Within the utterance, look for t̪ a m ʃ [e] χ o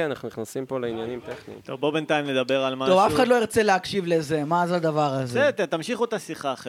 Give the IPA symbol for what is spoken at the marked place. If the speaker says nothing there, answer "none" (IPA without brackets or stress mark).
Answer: i